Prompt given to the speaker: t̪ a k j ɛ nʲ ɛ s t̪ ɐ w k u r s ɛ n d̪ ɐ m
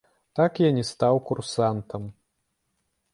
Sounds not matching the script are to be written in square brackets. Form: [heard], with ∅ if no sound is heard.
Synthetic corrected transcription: t̪ a k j [a] nʲ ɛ s t̪ [a] w k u r s [a] n [t̪] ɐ m